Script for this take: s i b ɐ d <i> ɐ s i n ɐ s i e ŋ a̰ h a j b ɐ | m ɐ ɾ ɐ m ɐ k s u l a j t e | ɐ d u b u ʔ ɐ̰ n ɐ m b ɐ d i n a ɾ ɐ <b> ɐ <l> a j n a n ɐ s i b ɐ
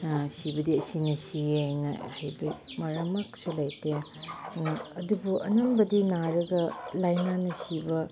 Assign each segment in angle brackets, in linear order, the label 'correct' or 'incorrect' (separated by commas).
correct, incorrect, correct